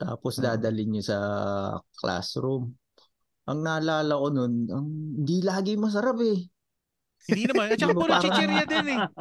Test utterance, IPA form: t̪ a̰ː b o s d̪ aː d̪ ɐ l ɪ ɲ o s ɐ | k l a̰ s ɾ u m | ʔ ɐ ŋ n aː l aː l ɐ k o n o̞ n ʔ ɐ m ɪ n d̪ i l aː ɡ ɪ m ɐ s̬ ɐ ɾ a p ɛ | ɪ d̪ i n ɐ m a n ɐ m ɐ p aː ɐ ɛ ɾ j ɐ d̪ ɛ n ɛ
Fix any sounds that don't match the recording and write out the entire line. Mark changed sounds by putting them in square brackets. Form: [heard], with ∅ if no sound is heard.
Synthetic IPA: t̪ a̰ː [p] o s d̪ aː d̪ ɐ l ɪ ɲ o s ɐ | k l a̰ s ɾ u m | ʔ ɐ ŋ n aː l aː l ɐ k o n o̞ n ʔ ɐ [ŋ] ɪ n d̪ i l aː ɡ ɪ m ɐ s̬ ɐ ɾ a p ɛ | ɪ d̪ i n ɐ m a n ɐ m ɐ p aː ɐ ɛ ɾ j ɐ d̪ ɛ n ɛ